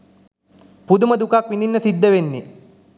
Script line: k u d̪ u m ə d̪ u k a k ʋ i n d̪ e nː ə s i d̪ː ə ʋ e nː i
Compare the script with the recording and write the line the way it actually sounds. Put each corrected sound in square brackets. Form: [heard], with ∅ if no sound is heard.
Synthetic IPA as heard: [p] u d̪ u m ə d̪ u k a k ʋ i n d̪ [i] nː ə s i d̪ː ə ʋ e nː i